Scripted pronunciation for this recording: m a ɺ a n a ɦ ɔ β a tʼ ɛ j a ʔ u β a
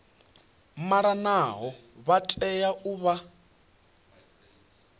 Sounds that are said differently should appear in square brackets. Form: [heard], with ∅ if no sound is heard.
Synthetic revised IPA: m a ɺ a n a ɦ ɔ β a tʼ ɛ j a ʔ u β a